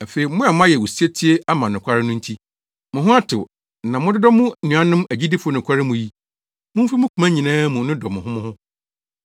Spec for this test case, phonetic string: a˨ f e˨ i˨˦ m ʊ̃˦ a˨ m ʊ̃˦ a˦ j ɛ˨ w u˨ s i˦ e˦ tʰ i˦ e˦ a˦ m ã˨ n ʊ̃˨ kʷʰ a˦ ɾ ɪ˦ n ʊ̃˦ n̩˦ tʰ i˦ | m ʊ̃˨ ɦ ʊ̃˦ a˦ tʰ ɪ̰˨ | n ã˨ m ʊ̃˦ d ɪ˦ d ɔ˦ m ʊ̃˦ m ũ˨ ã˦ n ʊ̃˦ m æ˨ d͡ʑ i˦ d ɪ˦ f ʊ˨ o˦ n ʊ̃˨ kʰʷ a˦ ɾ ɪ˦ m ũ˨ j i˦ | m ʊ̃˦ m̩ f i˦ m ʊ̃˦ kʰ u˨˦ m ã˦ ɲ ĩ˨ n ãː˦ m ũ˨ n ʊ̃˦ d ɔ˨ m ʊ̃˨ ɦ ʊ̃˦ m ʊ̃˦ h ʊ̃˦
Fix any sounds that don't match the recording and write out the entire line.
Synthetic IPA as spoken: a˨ f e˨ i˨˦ m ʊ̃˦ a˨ m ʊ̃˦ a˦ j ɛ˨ w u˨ s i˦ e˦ tʰ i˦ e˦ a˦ m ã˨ n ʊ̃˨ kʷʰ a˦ ɾ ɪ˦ n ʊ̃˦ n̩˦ tʰ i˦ | m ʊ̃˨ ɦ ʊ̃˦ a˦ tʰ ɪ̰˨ | n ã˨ m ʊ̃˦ d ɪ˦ d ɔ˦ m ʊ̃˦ n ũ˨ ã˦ n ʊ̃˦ m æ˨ d͡ʑ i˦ d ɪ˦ f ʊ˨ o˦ n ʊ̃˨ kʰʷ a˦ ɾ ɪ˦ m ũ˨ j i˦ | m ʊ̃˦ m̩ f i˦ m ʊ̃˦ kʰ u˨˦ m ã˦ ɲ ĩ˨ n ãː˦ m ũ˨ n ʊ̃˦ d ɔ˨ m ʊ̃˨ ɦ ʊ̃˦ m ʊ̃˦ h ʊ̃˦